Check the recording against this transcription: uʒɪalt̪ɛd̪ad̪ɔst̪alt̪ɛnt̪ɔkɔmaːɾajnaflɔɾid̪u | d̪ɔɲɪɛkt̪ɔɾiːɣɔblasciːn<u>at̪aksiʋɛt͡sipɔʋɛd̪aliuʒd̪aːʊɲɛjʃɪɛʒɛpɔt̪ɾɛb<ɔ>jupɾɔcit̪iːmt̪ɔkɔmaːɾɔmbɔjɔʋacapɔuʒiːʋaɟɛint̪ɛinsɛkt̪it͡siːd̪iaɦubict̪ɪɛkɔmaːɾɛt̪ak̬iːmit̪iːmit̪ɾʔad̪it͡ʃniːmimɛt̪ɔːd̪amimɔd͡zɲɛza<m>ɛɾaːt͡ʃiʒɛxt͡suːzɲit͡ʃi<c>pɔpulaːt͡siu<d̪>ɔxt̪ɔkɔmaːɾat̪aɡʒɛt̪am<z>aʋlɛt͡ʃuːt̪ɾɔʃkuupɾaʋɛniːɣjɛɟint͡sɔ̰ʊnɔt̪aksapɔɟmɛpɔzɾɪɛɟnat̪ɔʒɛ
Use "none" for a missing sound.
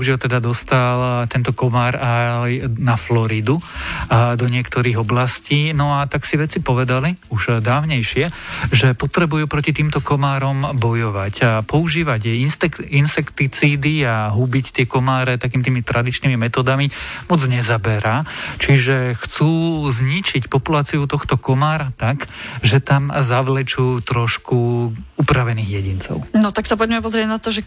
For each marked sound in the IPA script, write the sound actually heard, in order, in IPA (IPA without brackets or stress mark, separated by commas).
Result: ɔ, u, b, c, t̪, z